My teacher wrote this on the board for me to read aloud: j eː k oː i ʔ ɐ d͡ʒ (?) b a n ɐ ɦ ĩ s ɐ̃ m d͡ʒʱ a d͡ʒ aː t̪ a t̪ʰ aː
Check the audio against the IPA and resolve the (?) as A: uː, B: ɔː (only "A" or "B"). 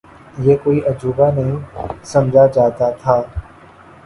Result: A